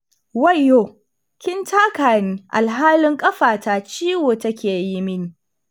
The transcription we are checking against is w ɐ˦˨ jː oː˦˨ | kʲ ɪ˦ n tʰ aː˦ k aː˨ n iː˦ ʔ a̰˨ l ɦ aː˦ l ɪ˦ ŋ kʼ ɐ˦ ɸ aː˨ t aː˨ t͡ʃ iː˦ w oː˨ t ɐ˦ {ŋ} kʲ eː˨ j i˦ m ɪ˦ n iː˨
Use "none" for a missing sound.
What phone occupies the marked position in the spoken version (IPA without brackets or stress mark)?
none